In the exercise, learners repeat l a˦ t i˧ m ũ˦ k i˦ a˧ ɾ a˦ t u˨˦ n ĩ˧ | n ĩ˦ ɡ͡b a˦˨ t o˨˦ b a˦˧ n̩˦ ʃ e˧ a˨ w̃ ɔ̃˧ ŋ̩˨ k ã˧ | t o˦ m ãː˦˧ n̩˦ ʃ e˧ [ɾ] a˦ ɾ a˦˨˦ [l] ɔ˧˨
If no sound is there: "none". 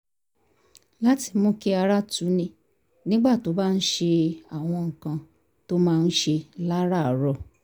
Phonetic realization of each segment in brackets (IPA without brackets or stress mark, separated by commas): l, ɾ